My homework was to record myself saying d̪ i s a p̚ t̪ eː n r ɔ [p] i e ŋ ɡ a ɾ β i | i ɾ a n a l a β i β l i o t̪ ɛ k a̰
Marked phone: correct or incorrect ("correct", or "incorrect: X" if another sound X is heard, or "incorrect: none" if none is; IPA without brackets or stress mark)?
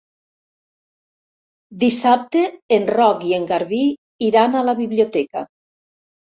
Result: incorrect: k